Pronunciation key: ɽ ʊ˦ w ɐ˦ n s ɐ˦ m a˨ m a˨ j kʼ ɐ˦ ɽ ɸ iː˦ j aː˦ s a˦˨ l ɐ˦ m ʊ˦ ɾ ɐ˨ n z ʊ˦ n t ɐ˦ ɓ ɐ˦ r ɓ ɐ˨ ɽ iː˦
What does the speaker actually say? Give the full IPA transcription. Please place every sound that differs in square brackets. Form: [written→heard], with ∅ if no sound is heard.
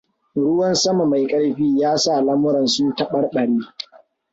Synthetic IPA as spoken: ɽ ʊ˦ w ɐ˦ n s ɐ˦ m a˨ m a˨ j kʼ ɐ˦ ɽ ɸ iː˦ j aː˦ s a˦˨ l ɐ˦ m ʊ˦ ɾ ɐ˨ n [z→s] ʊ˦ n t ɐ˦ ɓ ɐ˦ r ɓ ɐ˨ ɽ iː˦